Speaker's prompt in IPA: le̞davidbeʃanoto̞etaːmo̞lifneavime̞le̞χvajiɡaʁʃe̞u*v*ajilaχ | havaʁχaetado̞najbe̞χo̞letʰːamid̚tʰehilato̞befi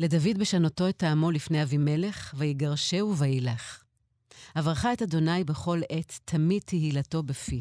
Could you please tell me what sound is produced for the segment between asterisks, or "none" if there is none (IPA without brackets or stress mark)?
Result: v